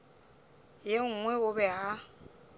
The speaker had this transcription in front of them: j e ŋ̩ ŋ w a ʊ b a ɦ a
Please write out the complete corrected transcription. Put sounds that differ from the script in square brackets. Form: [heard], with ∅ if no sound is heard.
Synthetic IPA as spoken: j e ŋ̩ ŋ w [ɛ] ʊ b [ɛ] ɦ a